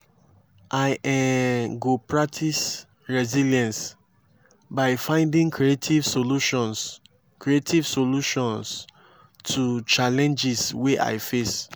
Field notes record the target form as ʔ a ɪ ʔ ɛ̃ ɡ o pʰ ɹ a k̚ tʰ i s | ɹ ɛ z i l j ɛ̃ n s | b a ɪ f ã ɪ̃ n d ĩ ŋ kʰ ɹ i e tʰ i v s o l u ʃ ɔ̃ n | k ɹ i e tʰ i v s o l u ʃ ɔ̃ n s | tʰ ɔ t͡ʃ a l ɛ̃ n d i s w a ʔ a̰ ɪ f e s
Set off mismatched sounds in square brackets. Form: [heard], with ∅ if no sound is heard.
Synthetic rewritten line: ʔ a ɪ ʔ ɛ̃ ɡ o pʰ ɹ a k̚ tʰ i s | ɹ ɛ z i l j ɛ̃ n s | b a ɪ f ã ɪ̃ n d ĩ ŋ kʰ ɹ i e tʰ i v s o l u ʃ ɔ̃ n | k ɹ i e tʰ i v s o l u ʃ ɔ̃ n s | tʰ [u] t͡ʃ a l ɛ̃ n [d͡ʒ] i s w [e] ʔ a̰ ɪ f e s